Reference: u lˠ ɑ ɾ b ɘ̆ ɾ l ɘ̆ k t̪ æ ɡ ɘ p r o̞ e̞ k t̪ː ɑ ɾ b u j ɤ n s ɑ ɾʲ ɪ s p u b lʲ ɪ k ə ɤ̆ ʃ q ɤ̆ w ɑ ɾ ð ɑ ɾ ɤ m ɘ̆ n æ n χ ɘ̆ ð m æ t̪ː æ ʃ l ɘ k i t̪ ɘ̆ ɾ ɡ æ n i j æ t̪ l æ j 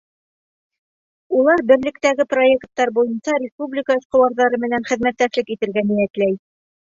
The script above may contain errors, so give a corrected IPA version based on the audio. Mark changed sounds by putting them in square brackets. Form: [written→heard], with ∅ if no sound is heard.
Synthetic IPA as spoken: u lˠ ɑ ɾ b ɘ̆ ɾ l ɘ̆ k t̪ æ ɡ ɘ p r o̞ e̞ k t̪ː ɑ ɾ b u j ɤ n s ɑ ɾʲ ɪ s p u b lʲ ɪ k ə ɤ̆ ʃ q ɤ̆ w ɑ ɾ ð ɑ ɾ ɤ m ɘ̆ n æ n χ ɘ̆ ð m æ t̪ː æ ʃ l ɘ k i t̪ ɘ̆ ɾ ɡ æ n i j æ t̪ l æ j